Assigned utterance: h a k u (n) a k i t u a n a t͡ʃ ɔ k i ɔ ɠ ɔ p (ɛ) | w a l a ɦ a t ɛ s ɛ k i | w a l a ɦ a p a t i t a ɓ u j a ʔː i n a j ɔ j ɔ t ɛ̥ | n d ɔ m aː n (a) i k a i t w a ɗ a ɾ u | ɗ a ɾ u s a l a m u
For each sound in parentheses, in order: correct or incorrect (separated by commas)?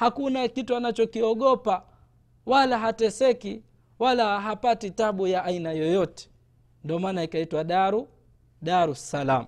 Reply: correct, incorrect, correct